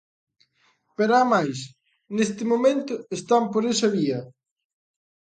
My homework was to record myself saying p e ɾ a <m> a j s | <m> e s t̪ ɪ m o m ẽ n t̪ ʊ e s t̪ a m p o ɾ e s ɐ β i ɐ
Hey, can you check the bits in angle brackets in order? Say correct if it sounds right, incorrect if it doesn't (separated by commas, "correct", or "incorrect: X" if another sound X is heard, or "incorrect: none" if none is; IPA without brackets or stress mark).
correct, incorrect: n